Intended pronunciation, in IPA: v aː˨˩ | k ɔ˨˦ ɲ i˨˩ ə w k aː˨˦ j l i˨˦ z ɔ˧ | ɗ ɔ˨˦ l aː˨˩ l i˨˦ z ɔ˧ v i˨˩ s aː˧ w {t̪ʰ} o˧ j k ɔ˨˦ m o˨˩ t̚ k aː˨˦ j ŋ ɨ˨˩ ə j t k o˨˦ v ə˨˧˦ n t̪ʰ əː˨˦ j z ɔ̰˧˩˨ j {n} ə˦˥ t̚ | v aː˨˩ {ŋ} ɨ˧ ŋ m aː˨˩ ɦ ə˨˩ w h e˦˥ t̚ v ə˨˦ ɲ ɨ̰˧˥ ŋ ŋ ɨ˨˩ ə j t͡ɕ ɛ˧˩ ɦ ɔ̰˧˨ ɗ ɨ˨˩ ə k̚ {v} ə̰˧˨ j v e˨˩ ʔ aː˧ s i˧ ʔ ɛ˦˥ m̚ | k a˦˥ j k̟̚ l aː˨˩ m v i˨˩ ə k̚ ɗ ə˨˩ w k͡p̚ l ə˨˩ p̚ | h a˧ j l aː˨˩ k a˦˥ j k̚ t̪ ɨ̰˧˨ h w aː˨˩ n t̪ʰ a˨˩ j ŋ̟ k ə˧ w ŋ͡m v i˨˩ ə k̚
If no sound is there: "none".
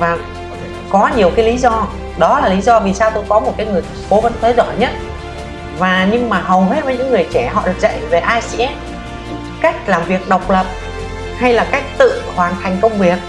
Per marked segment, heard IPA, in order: t̪, ɲ, ɲ, z

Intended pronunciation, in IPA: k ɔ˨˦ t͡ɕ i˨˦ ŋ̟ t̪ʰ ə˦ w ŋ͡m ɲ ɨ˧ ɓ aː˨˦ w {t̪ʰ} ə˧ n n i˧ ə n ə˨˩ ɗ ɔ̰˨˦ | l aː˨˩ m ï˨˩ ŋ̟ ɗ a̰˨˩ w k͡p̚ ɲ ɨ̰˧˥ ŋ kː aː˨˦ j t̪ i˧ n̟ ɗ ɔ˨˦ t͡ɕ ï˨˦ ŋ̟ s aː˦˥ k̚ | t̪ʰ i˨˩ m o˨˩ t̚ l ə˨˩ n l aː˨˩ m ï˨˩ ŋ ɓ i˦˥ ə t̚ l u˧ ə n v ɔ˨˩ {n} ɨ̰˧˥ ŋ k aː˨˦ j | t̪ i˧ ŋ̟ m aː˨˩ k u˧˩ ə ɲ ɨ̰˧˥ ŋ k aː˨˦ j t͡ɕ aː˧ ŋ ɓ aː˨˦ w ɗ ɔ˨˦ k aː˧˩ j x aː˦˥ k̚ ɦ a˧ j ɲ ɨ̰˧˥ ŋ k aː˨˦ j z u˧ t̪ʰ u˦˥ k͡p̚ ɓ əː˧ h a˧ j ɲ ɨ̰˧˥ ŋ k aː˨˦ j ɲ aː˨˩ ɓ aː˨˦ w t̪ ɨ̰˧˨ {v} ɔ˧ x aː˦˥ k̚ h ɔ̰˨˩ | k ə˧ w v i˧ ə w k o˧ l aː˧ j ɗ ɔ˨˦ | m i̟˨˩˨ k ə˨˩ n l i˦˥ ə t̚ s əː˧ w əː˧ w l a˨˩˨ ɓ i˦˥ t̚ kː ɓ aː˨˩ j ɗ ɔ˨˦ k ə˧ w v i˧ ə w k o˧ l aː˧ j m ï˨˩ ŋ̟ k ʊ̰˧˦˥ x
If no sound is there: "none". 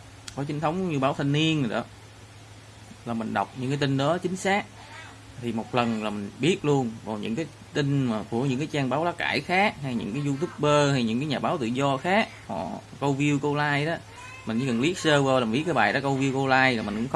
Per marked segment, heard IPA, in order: t̪ʰ, ɲ, z

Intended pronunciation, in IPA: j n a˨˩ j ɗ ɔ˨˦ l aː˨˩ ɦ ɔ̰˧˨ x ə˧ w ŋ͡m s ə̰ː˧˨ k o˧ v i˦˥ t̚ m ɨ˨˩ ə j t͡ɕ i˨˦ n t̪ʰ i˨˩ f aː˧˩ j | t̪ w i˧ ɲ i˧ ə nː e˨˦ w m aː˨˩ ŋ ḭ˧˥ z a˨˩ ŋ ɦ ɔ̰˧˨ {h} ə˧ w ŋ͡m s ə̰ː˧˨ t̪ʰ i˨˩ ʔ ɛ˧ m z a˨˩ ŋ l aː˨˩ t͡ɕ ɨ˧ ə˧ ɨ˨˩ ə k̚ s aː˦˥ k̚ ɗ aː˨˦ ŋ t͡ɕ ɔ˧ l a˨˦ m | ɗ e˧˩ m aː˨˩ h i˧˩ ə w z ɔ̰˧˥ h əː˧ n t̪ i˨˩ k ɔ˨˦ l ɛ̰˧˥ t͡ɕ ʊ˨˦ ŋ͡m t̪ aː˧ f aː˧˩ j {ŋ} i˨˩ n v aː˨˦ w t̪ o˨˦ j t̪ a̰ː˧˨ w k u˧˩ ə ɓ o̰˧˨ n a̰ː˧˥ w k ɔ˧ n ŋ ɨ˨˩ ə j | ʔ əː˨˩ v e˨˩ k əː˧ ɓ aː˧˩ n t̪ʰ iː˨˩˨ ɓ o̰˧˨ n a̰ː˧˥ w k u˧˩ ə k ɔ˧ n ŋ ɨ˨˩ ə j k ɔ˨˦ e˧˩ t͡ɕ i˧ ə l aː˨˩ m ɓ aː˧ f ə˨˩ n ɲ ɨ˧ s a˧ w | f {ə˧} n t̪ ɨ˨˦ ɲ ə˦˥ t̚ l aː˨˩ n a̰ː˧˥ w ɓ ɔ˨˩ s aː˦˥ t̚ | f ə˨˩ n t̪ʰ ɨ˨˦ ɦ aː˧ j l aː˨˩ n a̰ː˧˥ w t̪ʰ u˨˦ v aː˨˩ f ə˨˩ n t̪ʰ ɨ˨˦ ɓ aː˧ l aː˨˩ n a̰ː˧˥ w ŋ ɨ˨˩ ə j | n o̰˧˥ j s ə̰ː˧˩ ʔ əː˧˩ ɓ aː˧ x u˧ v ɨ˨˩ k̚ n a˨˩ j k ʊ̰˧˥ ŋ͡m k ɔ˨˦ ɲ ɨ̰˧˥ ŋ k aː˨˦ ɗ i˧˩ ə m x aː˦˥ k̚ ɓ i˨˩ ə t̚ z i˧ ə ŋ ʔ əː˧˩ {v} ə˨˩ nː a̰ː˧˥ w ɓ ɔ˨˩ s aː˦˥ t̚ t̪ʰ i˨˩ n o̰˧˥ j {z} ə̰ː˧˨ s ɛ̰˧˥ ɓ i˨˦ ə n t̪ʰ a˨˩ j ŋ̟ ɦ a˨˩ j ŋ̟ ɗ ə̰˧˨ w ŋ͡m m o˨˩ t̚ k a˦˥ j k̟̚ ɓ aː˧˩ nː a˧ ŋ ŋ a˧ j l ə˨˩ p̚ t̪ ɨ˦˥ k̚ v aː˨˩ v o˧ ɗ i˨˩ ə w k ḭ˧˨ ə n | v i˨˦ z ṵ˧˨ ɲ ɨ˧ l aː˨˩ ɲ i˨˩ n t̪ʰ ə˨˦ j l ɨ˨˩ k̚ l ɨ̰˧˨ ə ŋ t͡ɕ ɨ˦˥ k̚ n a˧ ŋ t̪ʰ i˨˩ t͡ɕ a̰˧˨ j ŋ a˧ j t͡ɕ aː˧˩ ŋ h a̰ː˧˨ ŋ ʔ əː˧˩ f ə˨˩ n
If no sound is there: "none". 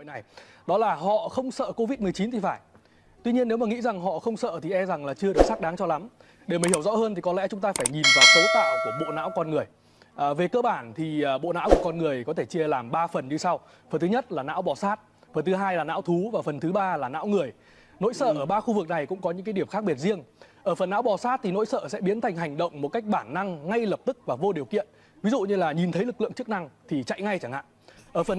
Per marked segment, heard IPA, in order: x, ɲ, ə˨˩, f, s

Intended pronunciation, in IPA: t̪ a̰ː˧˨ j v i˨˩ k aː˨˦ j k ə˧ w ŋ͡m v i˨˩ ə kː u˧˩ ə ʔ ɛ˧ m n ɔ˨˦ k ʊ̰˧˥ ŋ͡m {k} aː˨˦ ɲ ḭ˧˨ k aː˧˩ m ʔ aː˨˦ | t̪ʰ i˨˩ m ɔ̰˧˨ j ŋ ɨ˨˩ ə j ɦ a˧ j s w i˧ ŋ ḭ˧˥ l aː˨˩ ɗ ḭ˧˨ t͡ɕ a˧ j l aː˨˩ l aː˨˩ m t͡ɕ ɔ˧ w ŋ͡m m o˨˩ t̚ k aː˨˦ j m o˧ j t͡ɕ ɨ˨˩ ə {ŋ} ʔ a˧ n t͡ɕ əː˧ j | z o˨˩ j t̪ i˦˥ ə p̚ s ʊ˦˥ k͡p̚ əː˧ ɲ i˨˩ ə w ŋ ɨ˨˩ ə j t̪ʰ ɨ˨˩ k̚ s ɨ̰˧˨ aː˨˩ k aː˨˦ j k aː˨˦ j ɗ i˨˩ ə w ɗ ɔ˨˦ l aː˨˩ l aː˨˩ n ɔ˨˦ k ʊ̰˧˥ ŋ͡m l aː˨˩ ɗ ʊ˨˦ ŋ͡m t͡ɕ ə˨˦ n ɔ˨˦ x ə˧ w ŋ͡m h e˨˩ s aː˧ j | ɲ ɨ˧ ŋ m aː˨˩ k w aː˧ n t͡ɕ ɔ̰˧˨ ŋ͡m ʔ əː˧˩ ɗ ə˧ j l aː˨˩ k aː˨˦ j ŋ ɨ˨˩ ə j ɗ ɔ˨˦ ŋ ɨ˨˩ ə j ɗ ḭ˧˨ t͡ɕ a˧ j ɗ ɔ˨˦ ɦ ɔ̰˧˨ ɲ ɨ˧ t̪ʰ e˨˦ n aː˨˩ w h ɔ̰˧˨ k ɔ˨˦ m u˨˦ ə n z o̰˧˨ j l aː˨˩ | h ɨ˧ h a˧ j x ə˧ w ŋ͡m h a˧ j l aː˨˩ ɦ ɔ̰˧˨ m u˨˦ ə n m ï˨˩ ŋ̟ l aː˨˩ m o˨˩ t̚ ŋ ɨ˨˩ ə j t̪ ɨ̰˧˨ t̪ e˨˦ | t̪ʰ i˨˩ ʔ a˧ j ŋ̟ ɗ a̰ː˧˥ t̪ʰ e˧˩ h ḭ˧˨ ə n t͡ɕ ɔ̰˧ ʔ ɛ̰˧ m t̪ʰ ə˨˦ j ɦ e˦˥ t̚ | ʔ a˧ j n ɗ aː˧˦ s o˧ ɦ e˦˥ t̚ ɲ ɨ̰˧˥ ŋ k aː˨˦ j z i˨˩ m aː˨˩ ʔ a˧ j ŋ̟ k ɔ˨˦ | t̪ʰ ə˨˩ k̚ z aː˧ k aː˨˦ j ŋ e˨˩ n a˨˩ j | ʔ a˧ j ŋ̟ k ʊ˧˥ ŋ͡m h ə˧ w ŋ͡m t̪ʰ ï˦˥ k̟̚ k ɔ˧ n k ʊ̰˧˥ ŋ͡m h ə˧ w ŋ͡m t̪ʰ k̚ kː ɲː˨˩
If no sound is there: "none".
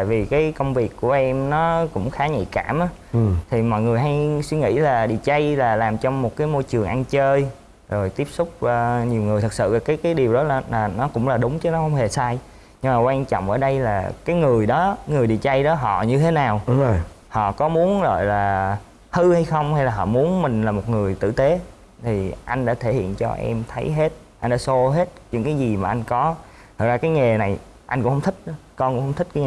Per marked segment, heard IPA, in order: x, ŋ

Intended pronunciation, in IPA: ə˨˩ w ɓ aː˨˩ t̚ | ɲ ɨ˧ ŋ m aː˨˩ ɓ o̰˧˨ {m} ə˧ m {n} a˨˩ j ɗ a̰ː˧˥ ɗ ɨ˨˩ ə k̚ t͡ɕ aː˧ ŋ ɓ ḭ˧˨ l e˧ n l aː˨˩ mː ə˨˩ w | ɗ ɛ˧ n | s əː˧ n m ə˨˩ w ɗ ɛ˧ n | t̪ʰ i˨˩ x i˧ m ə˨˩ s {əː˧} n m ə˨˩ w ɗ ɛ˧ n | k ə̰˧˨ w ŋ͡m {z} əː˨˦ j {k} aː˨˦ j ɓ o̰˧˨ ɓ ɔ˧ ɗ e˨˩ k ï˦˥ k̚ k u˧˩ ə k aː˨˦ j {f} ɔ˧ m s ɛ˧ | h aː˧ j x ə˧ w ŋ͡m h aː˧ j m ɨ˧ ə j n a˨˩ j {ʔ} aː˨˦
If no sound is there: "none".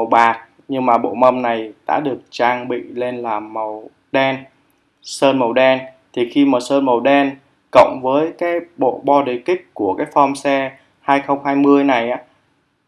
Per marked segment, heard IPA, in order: m, n, əː˧, v, k, f, ʔ

